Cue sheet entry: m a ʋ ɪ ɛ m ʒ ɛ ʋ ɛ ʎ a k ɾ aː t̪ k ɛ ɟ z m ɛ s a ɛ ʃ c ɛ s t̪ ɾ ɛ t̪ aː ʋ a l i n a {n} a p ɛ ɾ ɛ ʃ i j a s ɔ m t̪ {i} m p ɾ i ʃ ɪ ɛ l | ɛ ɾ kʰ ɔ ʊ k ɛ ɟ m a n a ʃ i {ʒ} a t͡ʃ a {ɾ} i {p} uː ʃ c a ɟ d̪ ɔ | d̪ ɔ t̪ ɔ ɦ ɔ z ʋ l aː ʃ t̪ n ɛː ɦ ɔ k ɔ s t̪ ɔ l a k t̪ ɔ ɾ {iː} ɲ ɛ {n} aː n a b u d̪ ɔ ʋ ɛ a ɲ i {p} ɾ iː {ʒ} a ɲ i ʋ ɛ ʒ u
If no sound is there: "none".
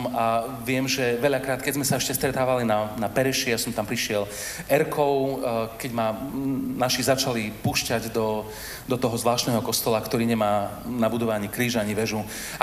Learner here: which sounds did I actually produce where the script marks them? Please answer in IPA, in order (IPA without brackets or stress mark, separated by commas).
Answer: n, a, z, l, p, iː, m, k, ʒ